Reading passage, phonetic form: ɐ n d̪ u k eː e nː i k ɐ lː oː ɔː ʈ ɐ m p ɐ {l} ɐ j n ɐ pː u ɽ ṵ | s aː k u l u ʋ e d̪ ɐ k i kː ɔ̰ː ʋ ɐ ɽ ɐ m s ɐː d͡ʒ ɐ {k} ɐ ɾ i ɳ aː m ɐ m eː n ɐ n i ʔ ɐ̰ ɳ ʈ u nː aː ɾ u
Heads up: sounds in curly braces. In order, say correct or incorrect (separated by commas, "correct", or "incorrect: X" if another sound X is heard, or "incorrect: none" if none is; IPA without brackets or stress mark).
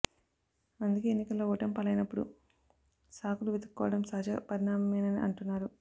correct, incorrect: p